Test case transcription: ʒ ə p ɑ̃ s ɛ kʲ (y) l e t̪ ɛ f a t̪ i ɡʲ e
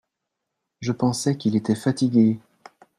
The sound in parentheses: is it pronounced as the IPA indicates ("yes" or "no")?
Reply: no